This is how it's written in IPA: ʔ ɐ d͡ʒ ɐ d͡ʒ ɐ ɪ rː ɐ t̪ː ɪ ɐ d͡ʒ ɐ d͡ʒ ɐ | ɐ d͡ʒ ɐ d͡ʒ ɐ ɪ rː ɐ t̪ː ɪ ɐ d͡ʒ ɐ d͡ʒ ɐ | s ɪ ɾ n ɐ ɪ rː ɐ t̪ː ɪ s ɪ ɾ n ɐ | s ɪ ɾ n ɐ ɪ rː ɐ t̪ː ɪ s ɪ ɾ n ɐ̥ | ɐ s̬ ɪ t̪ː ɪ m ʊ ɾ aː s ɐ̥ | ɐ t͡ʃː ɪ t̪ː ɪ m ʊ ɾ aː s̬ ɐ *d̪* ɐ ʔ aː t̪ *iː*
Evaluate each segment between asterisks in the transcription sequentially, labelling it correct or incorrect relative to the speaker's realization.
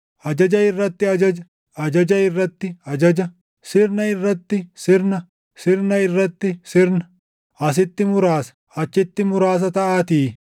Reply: incorrect: t̪, correct

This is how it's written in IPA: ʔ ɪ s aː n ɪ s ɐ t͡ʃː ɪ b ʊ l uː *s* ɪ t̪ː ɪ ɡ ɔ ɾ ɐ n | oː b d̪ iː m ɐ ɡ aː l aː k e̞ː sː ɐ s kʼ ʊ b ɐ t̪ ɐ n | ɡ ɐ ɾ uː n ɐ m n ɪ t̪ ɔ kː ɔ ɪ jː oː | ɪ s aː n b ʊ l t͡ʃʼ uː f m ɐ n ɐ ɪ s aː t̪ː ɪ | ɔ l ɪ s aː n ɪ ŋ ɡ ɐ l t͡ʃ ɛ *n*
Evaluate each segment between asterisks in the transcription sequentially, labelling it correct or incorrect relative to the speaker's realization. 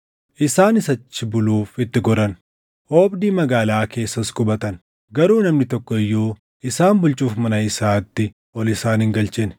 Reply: incorrect: f, correct

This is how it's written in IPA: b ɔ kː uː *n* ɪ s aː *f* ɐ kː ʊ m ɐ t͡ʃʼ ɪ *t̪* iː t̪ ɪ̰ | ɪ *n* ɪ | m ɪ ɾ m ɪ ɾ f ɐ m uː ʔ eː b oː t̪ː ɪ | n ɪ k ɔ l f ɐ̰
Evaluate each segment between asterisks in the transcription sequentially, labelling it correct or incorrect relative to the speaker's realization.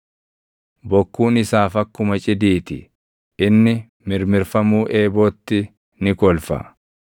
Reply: correct, correct, incorrect: d̪, incorrect: nː

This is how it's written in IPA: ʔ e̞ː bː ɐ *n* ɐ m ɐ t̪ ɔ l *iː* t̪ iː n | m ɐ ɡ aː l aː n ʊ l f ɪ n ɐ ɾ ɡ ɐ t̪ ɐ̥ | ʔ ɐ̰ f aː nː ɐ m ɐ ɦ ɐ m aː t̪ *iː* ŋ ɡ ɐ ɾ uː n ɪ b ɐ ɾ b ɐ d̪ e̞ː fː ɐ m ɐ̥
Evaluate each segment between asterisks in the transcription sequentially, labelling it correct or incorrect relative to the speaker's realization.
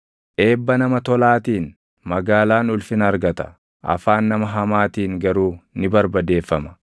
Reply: correct, incorrect: aː, correct

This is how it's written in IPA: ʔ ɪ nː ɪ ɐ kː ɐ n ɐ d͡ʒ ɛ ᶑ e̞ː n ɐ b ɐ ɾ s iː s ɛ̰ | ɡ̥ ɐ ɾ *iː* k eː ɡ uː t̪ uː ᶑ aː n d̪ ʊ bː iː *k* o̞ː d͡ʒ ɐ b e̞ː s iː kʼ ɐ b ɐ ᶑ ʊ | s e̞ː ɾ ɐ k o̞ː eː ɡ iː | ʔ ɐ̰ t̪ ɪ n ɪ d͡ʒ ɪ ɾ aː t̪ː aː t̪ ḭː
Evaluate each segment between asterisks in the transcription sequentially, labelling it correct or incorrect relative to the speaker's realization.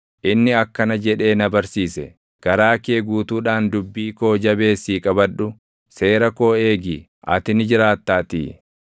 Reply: incorrect: aː, correct

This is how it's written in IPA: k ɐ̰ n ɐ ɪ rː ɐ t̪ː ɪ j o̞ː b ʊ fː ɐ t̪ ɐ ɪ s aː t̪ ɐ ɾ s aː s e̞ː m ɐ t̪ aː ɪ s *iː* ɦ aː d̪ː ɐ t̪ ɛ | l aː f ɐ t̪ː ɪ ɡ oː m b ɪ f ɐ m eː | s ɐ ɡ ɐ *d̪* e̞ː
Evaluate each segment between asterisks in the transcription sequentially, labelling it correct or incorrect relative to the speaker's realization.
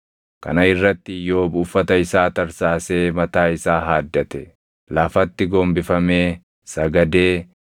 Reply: incorrect: aː, correct

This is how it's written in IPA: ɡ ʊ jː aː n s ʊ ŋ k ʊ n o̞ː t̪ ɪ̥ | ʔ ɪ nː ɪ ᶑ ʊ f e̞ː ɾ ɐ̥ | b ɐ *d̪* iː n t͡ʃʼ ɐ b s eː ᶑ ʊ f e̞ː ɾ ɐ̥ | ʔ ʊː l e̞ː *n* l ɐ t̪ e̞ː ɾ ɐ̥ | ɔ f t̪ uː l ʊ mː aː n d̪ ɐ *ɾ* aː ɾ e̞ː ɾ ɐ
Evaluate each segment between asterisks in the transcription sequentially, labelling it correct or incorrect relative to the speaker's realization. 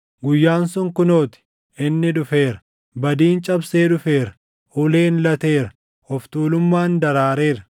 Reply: correct, correct, correct

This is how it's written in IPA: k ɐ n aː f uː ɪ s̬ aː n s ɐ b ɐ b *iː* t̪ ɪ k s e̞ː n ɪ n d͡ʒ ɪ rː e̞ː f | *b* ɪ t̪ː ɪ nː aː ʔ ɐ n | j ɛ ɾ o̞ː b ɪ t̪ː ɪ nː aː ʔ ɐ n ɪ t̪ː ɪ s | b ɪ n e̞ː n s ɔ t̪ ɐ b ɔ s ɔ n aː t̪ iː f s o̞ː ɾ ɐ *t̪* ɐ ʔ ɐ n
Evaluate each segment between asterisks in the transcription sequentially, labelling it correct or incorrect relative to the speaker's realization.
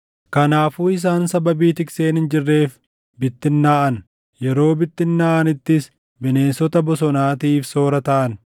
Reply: correct, correct, correct

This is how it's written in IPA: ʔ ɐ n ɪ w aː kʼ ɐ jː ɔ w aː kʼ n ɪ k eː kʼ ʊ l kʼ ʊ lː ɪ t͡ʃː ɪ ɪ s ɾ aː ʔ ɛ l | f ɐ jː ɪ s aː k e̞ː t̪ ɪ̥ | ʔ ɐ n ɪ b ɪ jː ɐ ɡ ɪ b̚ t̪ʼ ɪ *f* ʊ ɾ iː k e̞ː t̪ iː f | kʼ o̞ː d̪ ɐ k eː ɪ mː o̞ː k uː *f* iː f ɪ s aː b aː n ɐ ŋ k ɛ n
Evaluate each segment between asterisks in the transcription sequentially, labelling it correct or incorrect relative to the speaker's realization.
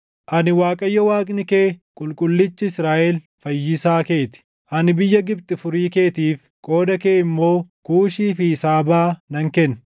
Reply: correct, incorrect: ʃ

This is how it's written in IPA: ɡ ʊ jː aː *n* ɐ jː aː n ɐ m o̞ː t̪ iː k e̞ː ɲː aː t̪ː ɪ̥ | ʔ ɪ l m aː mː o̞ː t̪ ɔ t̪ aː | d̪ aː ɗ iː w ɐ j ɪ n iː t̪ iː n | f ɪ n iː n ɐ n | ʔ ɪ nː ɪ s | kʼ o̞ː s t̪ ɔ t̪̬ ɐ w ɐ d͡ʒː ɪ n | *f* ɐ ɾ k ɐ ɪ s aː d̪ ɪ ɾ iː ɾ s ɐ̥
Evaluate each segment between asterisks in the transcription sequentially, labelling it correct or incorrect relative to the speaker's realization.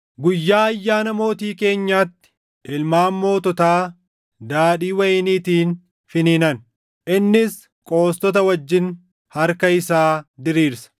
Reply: incorrect: none, incorrect: h

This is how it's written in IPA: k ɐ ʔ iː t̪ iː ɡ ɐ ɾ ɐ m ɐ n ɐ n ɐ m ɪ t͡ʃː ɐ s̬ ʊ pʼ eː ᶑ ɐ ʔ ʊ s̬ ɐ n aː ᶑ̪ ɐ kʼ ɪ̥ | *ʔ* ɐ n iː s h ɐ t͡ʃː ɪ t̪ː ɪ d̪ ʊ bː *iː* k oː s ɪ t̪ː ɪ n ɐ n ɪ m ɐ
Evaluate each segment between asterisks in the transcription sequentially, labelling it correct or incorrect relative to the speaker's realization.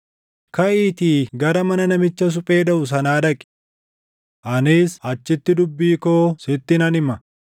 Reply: correct, correct

